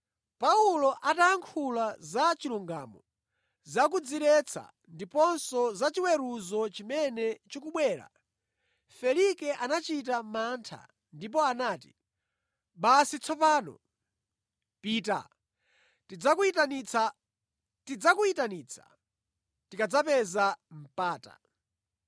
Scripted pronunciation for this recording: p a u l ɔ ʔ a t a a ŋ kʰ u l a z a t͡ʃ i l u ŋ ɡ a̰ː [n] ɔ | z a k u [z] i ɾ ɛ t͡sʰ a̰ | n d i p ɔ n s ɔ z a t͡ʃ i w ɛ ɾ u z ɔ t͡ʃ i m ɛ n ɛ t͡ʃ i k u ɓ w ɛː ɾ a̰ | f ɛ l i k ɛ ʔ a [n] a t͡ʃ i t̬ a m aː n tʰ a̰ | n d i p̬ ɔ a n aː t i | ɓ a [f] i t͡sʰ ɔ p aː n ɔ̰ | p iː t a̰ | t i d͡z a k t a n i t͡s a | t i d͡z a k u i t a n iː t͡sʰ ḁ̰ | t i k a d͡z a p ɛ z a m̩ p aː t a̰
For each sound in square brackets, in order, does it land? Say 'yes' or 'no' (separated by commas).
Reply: no, no, yes, no